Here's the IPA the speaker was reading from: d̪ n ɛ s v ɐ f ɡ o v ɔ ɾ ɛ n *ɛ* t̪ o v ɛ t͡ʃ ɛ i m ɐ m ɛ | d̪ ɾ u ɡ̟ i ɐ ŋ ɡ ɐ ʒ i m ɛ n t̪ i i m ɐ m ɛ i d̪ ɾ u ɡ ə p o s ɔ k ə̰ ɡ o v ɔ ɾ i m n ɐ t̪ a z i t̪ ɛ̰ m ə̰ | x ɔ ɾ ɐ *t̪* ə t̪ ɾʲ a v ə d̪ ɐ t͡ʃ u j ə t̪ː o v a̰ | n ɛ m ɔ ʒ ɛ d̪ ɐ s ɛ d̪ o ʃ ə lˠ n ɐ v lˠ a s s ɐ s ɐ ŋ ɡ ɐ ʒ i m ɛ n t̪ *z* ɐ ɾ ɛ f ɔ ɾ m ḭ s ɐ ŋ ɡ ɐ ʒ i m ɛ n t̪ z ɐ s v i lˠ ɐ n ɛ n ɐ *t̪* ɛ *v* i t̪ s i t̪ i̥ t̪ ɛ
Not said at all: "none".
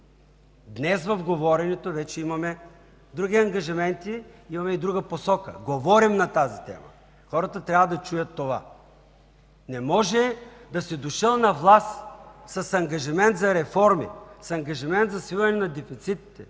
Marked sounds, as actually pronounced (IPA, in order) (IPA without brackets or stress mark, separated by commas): ɛ, t̪, z, d̪, f